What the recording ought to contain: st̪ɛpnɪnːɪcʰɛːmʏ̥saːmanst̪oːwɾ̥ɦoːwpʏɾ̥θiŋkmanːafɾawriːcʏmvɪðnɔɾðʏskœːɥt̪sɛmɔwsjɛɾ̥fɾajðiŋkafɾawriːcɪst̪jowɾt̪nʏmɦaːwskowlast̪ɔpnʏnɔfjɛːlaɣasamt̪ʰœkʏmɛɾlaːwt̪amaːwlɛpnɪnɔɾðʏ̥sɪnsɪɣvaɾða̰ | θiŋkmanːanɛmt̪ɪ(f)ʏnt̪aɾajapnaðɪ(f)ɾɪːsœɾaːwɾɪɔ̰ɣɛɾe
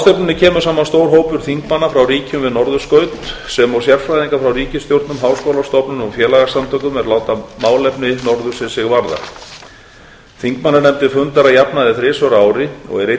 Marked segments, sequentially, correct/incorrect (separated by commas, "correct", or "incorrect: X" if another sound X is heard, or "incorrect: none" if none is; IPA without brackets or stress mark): correct, incorrect: θ